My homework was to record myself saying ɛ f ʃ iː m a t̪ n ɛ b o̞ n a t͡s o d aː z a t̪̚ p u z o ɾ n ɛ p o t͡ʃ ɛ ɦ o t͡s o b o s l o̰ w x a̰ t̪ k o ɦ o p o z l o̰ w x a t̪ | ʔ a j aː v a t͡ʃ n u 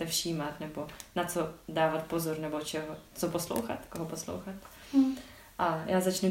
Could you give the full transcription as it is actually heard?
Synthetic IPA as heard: ɛ f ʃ iː m a t̪ n ɛ b o̞ n a t͡s o d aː v a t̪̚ p o z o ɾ n ɛ b o t͡ʃ ɛ ɦ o t͡s o p o s l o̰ w x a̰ t̪ k o ɦ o p o s l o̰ w x a t̪ | ʔ a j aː z a t͡ʃ n u